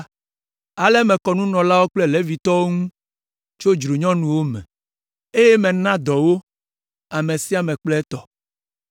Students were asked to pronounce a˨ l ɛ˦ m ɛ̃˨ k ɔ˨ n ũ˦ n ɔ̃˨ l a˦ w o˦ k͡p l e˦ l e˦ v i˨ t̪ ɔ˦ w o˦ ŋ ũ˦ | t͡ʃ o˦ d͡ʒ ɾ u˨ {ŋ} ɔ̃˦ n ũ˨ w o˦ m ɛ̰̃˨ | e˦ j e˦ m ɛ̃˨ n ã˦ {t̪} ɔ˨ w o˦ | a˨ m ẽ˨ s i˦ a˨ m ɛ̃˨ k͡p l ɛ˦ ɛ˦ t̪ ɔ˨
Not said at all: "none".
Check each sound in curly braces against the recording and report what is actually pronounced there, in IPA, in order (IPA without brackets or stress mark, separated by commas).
ɲ, d̪